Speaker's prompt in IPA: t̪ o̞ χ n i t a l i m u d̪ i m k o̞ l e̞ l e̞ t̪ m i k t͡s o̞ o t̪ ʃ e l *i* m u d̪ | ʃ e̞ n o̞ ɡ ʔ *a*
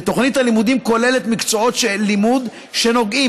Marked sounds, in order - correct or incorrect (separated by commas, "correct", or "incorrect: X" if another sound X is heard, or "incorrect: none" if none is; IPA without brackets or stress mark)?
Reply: correct, incorrect: i